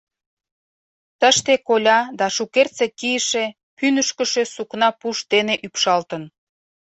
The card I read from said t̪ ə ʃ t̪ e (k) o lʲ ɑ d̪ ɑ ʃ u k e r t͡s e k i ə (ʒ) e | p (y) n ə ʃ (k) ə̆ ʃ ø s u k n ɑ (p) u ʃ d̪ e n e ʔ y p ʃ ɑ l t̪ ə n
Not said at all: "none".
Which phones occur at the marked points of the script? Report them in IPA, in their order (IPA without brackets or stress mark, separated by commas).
k, ʃ, y, k, p